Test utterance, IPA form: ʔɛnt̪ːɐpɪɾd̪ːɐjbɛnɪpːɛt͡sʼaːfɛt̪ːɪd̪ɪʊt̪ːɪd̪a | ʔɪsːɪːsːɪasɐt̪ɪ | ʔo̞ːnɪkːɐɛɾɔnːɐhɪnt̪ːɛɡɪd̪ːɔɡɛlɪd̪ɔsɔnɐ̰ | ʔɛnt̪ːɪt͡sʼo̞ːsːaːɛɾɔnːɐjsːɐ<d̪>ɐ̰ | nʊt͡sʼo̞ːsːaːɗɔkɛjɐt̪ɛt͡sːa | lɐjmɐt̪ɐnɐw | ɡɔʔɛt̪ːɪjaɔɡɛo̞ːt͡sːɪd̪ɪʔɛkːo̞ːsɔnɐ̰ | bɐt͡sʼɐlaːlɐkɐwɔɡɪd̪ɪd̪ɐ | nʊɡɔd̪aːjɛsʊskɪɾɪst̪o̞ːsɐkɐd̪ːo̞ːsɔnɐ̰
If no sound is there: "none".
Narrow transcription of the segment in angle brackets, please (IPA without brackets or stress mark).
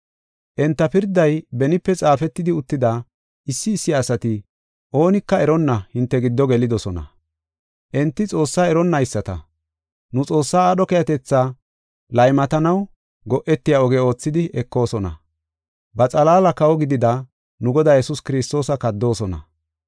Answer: t̪